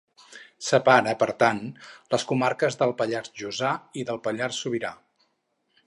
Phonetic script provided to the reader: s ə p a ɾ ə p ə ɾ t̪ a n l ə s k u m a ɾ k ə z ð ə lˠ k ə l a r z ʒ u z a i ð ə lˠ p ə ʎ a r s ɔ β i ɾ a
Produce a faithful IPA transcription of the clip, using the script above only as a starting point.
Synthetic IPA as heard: s ə p a ɾ ə p ə ɾ t̪ a n l ə s k u m a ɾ k ə z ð ə lˠ p ə ʎ a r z ʒ u z a i ð ə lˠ p ə ʎ a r s u β i ɾ a